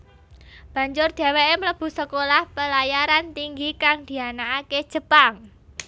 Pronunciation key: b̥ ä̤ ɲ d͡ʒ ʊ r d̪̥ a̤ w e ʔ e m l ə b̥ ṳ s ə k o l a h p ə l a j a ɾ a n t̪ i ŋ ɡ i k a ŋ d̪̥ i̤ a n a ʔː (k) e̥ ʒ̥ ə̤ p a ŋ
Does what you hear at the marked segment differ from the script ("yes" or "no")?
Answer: no